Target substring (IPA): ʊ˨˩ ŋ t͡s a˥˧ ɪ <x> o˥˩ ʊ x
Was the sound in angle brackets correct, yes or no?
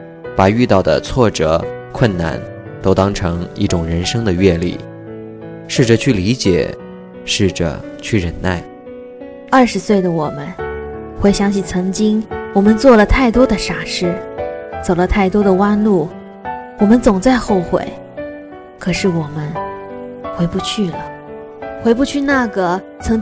yes